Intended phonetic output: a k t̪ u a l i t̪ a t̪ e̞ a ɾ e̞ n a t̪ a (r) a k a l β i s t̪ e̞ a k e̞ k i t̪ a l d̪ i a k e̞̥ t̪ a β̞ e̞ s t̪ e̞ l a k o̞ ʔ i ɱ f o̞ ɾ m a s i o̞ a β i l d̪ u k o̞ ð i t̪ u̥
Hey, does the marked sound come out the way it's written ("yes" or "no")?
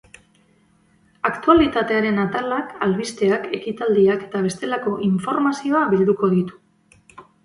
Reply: no